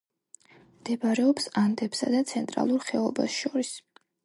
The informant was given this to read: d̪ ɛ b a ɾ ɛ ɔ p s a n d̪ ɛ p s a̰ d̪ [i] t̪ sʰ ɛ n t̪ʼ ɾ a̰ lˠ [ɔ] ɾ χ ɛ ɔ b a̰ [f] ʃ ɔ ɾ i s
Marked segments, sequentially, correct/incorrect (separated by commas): incorrect, incorrect, incorrect